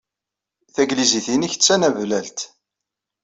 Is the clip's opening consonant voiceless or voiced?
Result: voiceless